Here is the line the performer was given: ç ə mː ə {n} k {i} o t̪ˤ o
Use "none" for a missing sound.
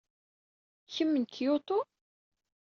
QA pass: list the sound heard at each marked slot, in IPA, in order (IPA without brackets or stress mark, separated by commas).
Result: n, j